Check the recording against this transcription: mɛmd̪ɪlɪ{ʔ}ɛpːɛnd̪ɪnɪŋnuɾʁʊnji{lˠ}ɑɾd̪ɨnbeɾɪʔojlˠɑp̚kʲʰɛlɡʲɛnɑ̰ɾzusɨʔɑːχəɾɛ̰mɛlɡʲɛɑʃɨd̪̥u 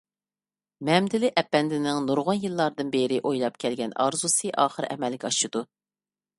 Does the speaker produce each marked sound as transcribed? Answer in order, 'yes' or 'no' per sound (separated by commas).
yes, no